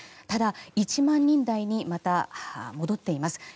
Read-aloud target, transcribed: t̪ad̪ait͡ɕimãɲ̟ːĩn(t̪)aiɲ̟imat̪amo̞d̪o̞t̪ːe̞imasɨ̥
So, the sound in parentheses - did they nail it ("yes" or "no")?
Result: no